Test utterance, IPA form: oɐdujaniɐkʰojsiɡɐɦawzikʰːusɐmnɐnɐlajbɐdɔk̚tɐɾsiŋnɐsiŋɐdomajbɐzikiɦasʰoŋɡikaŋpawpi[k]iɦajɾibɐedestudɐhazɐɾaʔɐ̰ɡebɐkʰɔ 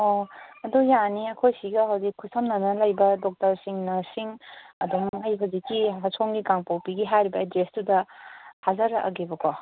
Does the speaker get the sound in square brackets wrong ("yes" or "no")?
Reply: yes